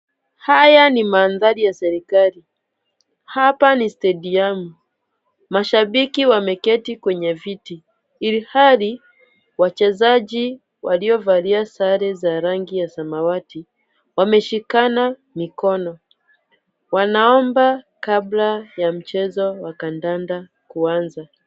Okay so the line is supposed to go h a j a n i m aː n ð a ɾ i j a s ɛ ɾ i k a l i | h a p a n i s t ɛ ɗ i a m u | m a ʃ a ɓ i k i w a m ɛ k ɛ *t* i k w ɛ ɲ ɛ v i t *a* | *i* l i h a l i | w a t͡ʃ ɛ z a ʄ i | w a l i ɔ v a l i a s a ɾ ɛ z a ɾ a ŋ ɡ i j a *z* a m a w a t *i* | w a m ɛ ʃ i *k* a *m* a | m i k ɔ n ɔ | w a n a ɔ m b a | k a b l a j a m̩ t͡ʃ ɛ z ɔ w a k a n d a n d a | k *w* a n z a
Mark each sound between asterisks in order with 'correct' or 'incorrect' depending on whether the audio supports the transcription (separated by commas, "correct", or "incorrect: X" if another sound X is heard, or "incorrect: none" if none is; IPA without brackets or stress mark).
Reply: correct, incorrect: i, correct, incorrect: s, correct, correct, incorrect: n, incorrect: u